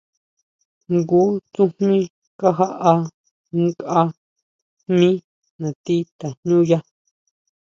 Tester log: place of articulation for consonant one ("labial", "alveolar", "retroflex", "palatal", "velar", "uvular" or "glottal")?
velar